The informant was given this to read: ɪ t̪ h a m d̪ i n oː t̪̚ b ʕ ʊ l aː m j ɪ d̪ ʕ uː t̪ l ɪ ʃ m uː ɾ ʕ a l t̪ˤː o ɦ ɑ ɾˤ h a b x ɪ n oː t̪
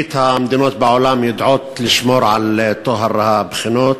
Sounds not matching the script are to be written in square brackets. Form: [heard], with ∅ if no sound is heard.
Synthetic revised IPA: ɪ t̪ h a m d̪ i n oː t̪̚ b ʕ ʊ l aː m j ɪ d̪ ʕ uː t̪ l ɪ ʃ m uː ɾ ʕ a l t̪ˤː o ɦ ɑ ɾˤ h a b x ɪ n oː t̪